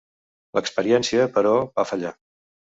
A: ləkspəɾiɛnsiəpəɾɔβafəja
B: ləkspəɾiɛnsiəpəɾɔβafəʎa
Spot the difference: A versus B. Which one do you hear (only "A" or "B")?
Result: B